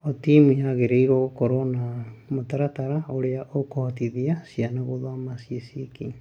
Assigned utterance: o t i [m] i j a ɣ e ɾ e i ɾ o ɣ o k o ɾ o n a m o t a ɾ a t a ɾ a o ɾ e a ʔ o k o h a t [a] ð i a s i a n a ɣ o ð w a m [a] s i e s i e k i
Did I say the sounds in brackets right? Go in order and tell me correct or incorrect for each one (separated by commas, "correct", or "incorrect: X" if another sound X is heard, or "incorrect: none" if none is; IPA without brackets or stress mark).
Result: correct, incorrect: i, correct